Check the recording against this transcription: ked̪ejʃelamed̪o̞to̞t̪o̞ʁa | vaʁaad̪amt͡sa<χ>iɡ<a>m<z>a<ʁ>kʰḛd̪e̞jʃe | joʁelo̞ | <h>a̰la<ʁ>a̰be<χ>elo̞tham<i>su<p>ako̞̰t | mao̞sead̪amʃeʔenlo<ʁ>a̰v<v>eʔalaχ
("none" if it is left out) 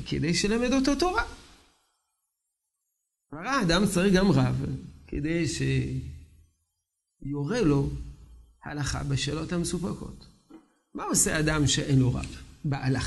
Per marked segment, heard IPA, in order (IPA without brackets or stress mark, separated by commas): ʁ, a, ʁ, v, h, χ, ʃ, e, p, ʁ, b